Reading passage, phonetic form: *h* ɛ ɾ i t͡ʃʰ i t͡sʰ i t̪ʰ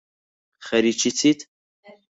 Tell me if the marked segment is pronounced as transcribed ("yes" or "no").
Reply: no